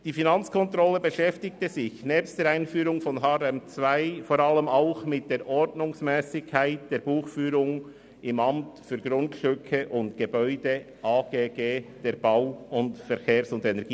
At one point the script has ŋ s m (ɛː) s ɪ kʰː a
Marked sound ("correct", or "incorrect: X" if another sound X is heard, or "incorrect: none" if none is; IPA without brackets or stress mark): correct